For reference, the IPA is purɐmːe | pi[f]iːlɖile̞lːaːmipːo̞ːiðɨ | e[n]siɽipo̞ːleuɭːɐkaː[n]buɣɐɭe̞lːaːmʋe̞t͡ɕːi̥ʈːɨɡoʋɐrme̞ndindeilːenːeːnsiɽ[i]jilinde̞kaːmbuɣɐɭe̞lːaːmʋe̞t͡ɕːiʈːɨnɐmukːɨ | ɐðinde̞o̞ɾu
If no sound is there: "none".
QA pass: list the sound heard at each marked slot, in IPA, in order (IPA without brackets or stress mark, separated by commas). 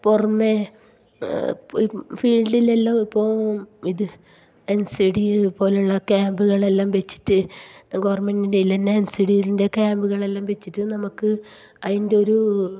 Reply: f, n, m, i